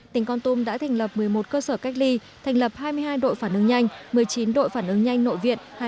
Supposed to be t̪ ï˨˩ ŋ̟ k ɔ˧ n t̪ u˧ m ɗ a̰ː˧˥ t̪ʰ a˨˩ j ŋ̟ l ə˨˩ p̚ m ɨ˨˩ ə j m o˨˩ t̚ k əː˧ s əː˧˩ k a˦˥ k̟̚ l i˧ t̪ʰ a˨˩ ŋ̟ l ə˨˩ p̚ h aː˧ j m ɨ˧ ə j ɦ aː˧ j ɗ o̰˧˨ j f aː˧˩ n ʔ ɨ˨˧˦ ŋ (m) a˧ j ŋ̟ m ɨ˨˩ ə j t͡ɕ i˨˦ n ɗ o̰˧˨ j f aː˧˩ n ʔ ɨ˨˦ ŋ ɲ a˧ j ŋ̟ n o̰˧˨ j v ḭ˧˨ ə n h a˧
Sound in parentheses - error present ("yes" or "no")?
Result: yes